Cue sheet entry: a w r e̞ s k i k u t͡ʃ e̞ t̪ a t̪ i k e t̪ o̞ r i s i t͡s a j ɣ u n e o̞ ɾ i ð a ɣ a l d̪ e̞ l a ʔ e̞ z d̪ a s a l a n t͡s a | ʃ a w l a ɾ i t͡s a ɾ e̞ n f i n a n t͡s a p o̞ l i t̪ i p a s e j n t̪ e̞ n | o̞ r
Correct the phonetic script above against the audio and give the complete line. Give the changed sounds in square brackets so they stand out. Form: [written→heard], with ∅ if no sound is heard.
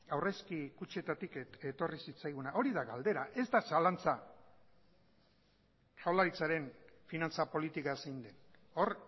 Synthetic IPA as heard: a w r e̞ s k i k u t͡ʃ e̞ t̪ a t̪ i k e t̪ o̞ r i s i t͡s a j ɣ u n [e→a] o̞ ɾ i ð a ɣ a l d̪ e̞ [l→ɾ] a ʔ e̞ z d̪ a s a l a n t͡s a | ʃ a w l a ɾ i t͡s a ɾ e̞ n f i n a n t͡s a p o̞ l i t̪ i [p→k] a s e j n [t̪→d̪] e̞ n | o̞ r